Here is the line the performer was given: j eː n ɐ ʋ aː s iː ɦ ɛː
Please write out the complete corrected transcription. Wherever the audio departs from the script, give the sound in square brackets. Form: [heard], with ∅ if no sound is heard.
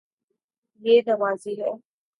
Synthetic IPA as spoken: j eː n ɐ ʋ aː [z] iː ɦ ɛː